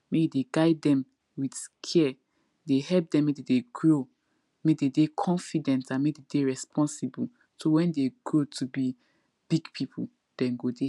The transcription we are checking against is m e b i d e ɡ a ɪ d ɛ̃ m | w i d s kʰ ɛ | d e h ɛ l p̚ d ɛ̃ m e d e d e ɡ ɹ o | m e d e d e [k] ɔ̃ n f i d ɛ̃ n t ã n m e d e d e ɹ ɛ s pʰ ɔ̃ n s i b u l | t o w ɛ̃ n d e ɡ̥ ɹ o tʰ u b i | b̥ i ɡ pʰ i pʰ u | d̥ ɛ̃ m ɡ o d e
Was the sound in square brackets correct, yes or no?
no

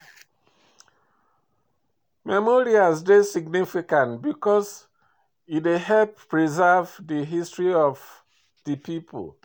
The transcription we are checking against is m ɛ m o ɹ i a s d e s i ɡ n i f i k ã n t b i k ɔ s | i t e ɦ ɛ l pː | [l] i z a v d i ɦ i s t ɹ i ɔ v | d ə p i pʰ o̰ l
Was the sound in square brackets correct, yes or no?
no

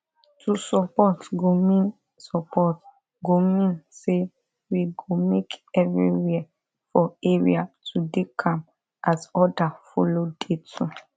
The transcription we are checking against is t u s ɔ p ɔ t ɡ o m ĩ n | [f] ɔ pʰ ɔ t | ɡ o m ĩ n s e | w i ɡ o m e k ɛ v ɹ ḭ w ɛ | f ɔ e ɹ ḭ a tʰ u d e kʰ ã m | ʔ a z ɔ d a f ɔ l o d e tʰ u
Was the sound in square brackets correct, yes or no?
no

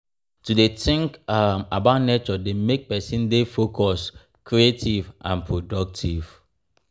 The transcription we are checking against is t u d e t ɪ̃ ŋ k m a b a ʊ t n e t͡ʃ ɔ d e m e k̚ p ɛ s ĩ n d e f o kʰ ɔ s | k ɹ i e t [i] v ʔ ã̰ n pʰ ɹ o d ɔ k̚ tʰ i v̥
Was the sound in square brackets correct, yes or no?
yes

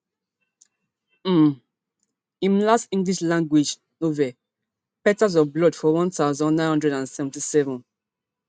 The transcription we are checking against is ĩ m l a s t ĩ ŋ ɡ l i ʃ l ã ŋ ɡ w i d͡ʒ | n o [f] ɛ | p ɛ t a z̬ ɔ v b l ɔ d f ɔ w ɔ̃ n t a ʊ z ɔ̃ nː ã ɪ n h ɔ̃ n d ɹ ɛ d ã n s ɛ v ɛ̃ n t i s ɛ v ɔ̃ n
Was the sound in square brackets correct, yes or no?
no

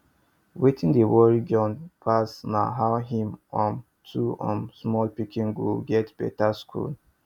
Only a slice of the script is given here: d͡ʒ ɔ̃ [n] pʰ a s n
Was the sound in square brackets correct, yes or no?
yes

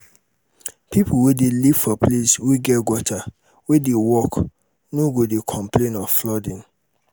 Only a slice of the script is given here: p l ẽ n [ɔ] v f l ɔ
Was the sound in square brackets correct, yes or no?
yes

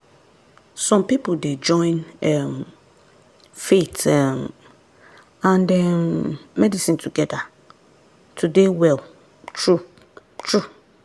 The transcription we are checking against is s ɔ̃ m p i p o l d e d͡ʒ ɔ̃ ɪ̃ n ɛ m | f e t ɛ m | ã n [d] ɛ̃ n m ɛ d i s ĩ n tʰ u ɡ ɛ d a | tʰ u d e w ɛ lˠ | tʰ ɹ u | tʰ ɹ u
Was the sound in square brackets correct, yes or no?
yes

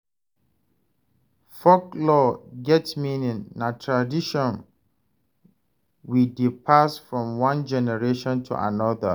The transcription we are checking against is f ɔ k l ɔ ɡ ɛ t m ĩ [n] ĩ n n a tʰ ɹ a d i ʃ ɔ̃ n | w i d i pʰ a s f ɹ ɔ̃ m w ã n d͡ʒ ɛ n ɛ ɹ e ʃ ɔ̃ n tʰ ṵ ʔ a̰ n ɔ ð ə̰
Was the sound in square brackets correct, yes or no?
yes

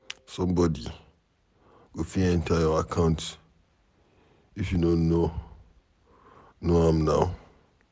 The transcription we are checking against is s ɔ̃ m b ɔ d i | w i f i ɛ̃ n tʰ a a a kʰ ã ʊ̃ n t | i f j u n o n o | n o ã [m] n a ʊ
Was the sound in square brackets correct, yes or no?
yes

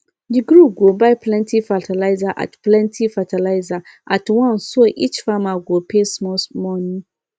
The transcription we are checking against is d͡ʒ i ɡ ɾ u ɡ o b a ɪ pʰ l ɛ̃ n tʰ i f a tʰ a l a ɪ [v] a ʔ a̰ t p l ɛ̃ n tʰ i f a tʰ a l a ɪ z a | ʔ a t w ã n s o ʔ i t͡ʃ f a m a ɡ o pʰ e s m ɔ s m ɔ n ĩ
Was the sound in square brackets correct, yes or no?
no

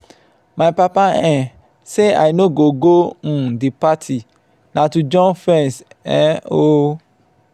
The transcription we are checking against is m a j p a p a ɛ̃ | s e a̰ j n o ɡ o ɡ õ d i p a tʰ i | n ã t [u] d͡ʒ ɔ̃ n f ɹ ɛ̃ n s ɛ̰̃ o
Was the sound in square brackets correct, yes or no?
yes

